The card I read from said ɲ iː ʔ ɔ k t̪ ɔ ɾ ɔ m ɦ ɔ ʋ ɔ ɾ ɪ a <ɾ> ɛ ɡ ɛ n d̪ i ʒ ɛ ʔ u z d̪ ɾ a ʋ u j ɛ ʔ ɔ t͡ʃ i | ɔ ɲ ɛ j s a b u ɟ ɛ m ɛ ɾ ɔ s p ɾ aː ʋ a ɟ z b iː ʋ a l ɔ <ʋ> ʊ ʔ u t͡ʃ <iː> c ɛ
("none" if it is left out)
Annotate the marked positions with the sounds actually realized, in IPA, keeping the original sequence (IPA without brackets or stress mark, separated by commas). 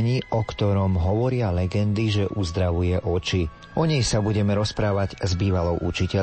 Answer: l, none, i